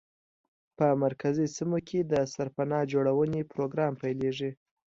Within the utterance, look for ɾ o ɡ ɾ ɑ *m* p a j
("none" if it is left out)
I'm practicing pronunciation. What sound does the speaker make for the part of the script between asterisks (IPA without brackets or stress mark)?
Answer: m